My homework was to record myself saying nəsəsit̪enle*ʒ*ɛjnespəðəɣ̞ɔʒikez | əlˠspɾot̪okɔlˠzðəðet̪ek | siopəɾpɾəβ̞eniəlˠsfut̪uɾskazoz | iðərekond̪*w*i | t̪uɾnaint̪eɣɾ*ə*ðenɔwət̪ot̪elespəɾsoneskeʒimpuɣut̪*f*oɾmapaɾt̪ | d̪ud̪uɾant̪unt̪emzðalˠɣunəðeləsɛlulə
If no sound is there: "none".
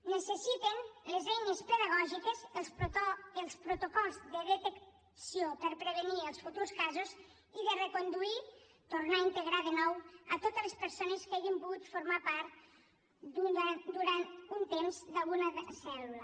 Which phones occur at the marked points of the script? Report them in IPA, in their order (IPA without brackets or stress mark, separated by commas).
z, u, a, f